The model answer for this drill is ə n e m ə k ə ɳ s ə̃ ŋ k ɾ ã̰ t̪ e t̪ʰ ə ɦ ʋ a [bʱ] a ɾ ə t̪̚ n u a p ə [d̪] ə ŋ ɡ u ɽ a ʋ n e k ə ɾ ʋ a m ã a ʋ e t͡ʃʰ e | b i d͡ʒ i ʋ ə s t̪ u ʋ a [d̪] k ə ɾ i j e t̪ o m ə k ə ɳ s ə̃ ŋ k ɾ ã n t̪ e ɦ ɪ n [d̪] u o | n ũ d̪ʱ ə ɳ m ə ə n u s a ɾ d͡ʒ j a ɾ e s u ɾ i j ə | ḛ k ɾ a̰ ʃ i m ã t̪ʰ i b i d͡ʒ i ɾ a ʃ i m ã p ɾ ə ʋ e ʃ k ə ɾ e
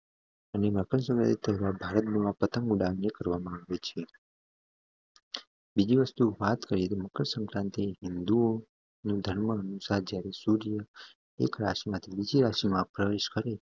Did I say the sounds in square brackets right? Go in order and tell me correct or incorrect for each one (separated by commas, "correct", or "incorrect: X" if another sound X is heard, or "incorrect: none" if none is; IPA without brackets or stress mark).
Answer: correct, incorrect: t̪, incorrect: t̪, correct